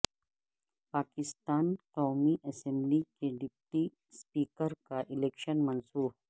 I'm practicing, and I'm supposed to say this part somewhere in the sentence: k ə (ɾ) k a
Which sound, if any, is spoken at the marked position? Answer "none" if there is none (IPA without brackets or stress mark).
ɾ